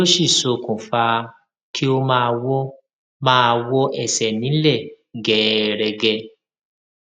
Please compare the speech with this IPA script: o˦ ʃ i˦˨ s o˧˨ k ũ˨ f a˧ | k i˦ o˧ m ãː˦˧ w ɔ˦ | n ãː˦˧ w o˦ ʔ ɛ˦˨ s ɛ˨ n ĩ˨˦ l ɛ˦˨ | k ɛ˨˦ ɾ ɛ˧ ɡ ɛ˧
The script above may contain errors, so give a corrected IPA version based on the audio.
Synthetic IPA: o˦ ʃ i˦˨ s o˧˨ k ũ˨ f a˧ | k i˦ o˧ m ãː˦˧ w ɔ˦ | m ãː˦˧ w ɔ˦ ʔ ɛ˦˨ s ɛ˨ n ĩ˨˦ l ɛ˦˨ | ɡ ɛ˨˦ ɾ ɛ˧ ɡ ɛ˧